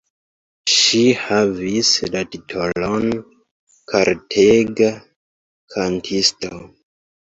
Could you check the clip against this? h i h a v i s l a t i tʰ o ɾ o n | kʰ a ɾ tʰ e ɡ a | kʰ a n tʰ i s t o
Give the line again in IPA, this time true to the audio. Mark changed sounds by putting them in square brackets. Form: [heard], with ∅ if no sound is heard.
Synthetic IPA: [ʃ] i h a v i s l a t i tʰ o [l] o n | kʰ a ɾ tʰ e ɡ a | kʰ a n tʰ i s t o